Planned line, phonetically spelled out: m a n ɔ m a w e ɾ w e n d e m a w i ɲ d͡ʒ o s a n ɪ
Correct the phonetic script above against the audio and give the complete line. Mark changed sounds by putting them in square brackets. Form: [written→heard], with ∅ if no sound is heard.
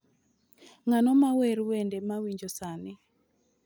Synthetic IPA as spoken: [m→ŋ] a n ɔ m a w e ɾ w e n d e m a w i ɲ d͡ʒ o s a n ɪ